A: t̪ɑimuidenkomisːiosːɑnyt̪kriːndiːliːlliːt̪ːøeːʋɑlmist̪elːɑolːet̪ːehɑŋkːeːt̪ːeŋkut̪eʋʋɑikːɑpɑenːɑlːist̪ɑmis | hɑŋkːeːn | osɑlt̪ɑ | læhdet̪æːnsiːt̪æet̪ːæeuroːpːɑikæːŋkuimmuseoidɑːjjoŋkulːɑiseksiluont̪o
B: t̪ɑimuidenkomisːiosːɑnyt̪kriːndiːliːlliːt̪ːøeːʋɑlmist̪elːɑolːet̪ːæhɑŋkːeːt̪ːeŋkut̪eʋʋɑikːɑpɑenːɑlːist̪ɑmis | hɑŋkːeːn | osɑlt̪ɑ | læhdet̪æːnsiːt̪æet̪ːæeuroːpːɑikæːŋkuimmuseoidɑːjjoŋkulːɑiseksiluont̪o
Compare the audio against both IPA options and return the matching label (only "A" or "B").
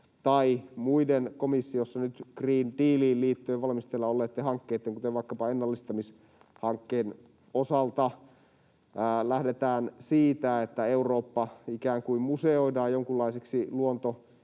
A